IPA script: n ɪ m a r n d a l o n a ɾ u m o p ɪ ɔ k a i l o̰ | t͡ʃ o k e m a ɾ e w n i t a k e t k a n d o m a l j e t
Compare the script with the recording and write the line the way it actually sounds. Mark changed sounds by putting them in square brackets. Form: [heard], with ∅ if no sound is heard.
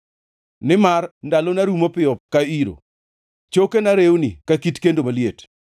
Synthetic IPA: n ɪ m a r n d a l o n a ɾ u m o p ɪ ɔ k a i [ɾ] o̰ | t͡ʃ o k e [n] a ɾ e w n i [k] a k [i] t k [e] n d o m a l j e t